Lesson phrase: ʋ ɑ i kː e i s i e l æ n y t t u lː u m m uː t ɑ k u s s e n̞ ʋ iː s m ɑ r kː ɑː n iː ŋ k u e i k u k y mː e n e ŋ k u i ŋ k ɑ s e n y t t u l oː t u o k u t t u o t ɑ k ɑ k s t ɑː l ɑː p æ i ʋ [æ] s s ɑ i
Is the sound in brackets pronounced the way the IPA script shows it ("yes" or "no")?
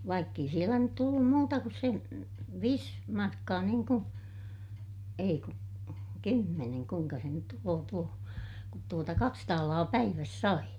yes